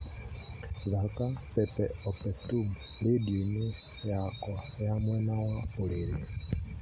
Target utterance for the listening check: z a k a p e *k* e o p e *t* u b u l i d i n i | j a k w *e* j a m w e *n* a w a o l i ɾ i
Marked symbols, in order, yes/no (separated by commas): no, yes, no, yes